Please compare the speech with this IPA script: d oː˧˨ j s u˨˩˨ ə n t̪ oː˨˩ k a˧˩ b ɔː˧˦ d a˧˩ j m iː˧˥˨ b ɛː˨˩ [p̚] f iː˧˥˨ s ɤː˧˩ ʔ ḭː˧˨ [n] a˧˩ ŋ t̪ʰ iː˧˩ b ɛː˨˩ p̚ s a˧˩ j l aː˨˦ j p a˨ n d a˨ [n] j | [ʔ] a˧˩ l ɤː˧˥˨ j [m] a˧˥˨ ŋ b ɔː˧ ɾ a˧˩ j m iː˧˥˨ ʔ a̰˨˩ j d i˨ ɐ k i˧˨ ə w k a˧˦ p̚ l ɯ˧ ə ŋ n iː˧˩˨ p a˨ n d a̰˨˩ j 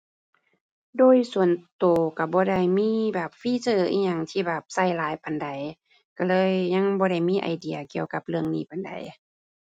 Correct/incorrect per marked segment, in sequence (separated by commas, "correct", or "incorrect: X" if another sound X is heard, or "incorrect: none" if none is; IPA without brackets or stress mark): correct, incorrect: ɲ, incorrect: none, incorrect: k, incorrect: ɲ